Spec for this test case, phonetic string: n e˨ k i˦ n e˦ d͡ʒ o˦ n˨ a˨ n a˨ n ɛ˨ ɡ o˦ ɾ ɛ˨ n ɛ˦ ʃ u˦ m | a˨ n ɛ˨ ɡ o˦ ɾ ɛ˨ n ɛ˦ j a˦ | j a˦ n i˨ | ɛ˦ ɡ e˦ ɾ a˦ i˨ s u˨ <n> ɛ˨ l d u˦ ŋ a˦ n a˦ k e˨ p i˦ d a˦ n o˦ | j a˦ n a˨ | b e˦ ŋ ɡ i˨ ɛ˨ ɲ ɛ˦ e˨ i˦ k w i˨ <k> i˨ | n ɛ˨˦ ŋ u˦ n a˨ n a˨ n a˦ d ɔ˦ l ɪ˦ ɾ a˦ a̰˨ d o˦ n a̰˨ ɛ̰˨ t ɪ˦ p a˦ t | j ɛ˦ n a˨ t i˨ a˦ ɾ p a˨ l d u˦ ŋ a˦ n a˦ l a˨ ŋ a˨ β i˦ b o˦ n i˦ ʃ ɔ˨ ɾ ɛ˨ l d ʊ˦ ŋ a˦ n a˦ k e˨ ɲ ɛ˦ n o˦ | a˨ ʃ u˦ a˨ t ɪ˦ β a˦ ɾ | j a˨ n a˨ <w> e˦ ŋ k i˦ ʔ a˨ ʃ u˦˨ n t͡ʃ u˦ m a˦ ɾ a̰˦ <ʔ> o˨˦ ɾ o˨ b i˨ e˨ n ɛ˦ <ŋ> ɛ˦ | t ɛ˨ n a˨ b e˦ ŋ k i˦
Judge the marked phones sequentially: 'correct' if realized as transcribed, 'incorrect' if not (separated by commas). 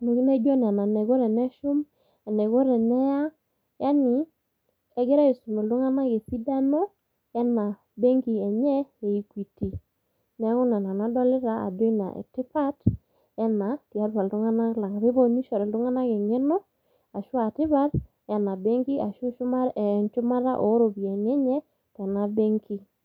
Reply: incorrect, incorrect, incorrect, correct, incorrect